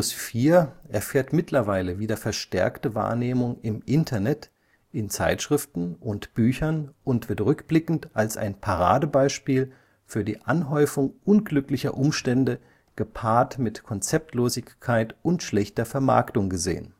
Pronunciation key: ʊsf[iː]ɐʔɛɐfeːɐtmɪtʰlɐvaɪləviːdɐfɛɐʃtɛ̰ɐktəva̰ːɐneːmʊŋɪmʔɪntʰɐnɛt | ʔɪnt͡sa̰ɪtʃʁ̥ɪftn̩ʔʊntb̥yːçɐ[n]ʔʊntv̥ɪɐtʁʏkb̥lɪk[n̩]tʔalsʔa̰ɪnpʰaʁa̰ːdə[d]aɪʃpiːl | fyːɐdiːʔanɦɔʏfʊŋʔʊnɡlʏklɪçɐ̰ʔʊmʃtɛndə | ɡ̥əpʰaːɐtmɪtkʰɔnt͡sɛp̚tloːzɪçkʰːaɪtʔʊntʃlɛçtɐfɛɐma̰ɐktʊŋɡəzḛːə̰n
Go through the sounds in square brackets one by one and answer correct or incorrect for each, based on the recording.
correct, correct, correct, incorrect

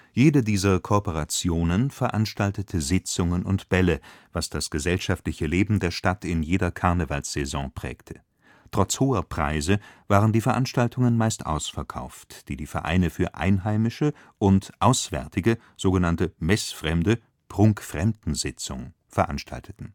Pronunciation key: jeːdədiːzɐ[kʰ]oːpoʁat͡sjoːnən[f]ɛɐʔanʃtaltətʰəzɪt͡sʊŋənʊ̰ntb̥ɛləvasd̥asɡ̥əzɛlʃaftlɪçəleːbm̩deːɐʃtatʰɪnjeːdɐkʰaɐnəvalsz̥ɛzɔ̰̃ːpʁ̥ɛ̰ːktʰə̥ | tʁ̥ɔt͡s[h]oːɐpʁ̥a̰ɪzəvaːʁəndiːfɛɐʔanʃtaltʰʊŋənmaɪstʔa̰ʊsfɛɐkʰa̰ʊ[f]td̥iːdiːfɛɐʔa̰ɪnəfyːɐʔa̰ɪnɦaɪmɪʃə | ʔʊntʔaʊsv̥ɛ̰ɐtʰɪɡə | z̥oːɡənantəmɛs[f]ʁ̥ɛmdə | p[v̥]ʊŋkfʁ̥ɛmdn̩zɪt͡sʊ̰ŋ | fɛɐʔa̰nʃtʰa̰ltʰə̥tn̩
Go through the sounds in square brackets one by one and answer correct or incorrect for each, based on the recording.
correct, correct, correct, correct, correct, incorrect

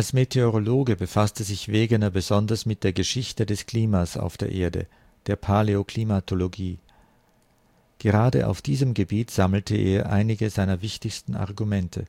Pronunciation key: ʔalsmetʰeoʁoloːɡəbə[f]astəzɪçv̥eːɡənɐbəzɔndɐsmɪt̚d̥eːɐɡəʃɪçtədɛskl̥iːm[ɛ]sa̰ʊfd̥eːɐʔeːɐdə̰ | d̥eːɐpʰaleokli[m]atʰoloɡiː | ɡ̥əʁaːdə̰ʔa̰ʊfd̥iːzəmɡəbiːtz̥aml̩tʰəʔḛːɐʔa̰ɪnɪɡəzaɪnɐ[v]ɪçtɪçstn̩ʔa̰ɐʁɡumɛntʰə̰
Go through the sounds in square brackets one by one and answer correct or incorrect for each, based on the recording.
correct, incorrect, correct, correct

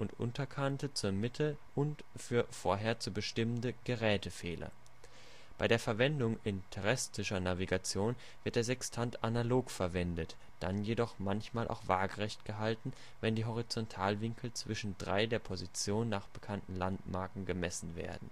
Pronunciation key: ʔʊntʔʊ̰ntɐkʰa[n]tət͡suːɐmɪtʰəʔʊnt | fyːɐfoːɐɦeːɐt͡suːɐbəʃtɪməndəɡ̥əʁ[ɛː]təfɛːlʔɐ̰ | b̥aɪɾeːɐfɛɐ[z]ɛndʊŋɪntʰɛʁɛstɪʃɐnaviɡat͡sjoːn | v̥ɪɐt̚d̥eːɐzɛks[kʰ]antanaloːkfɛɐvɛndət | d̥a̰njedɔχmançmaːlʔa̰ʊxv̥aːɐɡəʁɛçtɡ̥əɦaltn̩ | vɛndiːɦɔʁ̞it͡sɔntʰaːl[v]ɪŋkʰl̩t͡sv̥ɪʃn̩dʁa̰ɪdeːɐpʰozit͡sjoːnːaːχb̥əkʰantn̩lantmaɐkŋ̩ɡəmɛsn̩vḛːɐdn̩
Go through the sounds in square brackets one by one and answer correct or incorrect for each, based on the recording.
correct, correct, incorrect, incorrect, correct

